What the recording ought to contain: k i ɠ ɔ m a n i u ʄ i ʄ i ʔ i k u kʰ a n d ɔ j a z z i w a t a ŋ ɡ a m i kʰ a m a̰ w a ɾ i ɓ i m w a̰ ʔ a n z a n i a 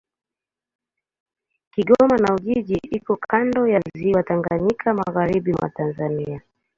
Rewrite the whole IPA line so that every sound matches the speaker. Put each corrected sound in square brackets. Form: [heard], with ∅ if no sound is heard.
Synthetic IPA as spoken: k i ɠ ɔ m a n [a] u ʄ i ʄ i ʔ i k [ɔ] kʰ a n d ɔ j a z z i w a t a ŋ ɡ a [ɲ] i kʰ a m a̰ [ɣ] a ɾ i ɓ i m w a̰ [t] a n z a n i a